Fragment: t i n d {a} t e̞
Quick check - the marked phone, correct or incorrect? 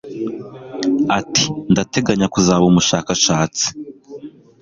correct